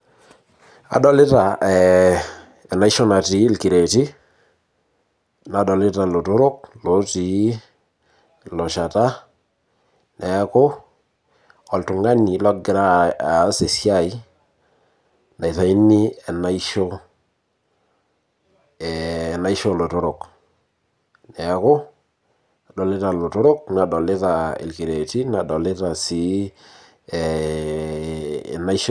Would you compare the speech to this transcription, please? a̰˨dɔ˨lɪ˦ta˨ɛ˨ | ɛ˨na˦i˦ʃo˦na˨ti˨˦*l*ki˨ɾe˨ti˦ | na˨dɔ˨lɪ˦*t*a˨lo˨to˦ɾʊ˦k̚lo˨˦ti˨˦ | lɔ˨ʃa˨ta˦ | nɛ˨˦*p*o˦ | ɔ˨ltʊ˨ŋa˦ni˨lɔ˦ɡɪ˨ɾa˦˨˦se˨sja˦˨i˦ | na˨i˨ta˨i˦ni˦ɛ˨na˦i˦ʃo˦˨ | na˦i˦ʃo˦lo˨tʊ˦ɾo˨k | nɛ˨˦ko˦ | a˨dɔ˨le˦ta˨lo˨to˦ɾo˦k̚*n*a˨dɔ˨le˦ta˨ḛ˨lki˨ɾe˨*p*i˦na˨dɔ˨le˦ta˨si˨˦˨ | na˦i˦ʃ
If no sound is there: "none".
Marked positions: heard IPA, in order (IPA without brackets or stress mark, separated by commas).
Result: l, t, k, n, t